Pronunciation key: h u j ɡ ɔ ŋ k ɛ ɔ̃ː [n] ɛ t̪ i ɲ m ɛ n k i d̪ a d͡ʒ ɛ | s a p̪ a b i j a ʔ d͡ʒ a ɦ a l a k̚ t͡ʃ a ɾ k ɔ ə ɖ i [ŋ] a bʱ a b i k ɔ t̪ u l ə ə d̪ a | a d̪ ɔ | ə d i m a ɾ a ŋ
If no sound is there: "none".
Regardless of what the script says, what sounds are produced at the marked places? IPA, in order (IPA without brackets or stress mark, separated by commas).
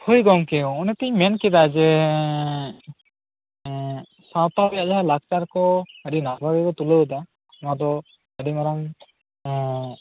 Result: n, n